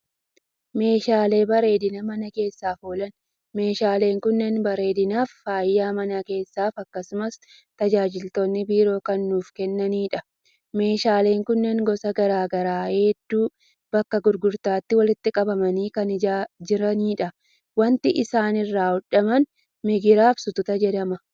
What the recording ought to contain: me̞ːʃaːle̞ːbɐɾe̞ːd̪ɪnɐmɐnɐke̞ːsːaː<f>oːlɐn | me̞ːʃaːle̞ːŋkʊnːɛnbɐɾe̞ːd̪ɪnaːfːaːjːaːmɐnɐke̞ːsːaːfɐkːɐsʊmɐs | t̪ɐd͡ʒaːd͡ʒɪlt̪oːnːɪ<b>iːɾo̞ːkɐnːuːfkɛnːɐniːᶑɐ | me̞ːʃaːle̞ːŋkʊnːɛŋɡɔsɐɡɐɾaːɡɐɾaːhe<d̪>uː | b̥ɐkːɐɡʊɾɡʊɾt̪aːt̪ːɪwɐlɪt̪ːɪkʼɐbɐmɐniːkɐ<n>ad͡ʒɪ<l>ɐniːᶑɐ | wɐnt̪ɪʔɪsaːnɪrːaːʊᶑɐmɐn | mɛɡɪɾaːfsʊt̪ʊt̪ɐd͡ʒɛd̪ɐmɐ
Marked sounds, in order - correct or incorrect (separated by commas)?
correct, correct, incorrect, correct, incorrect